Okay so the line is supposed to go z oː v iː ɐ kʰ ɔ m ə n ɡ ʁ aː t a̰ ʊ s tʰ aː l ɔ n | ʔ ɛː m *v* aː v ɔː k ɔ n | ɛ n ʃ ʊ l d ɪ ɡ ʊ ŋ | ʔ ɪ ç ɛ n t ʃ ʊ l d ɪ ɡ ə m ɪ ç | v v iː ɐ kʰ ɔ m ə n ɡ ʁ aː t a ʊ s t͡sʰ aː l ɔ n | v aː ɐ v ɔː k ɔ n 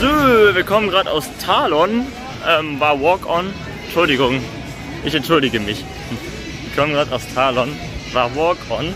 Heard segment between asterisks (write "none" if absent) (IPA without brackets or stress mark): v